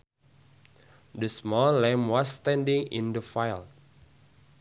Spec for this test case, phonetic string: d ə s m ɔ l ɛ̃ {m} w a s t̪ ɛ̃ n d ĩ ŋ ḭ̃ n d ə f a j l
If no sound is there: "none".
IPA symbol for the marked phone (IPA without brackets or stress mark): m